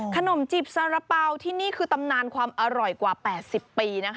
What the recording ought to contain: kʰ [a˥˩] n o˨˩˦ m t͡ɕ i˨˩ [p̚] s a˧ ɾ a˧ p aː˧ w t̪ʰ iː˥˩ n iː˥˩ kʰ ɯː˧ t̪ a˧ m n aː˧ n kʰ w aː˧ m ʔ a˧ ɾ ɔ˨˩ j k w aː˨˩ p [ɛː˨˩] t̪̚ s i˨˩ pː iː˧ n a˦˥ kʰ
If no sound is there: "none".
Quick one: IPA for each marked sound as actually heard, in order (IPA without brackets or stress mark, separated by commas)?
a˧, p̚, ɛː˨˩